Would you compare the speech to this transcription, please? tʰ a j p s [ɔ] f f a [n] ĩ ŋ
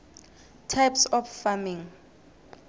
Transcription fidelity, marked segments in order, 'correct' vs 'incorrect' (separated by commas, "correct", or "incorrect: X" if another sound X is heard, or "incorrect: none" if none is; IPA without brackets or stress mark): correct, incorrect: m